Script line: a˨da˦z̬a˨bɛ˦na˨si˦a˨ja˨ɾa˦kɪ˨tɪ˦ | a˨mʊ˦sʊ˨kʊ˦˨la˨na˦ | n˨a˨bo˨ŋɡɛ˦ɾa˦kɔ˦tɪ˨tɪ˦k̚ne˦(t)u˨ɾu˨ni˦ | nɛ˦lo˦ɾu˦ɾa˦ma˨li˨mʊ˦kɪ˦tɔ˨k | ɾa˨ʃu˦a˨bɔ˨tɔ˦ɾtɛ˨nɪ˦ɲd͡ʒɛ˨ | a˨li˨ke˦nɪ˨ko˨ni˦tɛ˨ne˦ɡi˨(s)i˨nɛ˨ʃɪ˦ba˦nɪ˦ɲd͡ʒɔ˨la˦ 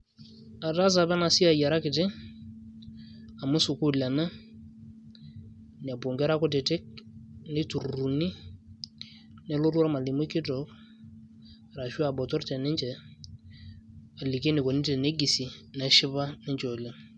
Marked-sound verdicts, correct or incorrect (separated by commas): correct, correct